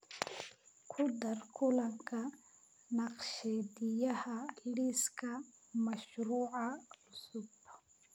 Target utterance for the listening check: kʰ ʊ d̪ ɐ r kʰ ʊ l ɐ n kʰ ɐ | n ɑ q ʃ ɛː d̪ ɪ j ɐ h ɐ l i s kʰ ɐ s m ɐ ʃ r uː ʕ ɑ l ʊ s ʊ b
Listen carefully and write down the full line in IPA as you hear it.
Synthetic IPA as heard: kʰ ʊ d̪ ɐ r kʰ ʊ l ɐ ŋ kʰ ɐ | n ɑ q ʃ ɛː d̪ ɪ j ɐ h ɐ l i s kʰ ɐ m ɐ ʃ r uː ʕ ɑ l ʊ s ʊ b